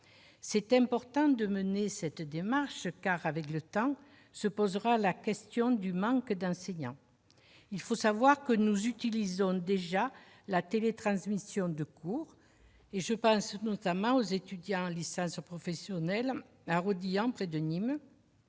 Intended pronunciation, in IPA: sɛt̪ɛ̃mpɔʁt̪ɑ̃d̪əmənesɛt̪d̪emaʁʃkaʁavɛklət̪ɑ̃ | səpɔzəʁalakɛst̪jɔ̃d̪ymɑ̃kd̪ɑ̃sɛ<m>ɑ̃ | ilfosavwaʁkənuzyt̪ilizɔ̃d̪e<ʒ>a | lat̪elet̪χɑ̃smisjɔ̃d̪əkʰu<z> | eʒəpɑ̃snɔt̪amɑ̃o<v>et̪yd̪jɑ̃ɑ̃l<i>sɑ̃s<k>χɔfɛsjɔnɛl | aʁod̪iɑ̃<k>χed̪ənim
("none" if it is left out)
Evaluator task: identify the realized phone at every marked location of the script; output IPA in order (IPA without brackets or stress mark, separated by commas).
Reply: ɲ, ʒ, ʁ, z, i, p, p